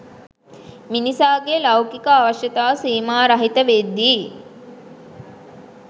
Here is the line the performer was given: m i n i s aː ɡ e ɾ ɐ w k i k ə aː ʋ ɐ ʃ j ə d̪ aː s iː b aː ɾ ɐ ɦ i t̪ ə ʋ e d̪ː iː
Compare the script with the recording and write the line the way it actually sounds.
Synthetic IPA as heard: m i n i s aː ɡ e l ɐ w k i k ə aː ʋ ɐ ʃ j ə t̪ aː s iː m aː ɾ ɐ ɦ i t̪ ə ʋ e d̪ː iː